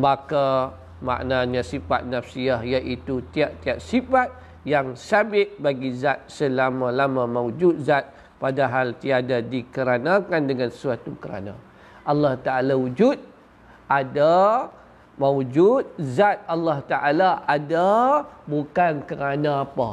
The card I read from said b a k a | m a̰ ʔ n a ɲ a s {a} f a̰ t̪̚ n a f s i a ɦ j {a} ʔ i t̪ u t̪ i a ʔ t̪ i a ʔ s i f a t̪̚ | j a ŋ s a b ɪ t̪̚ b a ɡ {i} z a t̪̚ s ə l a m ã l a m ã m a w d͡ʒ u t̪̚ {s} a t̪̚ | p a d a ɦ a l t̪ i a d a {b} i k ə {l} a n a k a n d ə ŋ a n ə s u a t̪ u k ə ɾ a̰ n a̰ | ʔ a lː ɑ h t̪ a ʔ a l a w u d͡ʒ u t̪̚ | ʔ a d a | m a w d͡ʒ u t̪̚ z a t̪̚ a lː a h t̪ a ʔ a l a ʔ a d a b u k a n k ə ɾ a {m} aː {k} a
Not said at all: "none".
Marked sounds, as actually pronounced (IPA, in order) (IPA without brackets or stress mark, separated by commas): i, a, i, z, d, ɾ, n, p